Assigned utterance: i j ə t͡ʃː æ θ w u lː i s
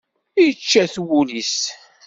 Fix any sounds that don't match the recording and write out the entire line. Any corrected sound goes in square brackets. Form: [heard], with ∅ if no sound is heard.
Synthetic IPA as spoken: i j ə t͡ʃː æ θ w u [l] i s